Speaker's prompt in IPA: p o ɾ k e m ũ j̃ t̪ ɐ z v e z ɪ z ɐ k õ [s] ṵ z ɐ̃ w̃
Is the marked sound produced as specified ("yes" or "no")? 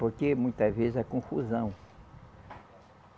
no